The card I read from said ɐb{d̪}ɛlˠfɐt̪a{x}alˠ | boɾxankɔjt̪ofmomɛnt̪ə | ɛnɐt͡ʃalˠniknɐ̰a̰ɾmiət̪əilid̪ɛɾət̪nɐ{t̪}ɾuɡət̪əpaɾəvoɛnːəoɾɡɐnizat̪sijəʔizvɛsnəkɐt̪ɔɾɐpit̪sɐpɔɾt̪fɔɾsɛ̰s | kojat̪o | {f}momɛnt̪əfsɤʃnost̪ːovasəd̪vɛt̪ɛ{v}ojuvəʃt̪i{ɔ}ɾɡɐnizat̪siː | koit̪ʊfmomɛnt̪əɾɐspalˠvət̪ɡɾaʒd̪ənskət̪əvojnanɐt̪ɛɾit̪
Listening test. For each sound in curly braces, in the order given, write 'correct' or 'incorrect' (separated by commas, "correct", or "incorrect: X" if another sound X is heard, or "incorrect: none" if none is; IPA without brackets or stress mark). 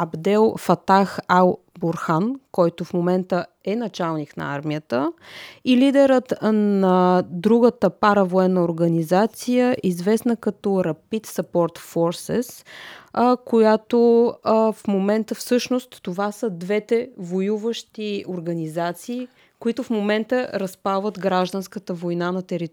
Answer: correct, correct, incorrect: d̪, correct, correct, incorrect: o